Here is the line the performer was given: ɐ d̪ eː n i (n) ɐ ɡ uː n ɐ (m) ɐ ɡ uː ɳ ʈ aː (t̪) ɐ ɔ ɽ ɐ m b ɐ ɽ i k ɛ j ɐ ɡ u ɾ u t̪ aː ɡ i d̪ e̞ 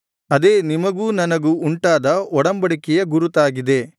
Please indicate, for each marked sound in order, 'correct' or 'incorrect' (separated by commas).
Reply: incorrect, incorrect, incorrect